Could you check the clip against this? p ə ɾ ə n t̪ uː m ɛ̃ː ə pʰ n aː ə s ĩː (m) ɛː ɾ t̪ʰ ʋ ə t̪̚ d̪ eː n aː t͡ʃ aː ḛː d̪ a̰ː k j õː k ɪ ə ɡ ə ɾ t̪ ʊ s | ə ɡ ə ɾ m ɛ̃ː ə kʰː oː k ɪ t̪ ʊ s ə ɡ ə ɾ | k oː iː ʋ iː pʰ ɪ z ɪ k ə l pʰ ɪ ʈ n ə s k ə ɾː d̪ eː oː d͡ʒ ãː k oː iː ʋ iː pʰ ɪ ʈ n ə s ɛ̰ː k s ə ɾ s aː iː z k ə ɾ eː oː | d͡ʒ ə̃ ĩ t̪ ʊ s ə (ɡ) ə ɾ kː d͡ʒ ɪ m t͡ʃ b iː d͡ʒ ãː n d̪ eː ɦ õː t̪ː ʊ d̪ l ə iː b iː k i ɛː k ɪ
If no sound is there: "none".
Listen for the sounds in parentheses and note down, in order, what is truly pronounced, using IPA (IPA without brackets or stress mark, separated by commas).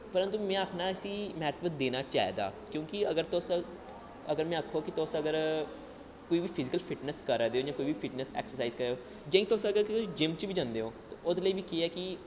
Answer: m, ɡ